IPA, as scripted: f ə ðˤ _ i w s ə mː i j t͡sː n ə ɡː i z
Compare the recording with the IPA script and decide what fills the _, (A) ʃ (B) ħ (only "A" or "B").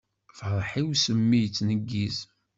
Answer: B